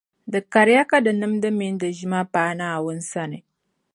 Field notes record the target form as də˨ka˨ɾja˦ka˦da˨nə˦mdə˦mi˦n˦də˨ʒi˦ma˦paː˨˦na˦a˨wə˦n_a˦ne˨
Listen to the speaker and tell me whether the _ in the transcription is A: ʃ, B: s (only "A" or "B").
B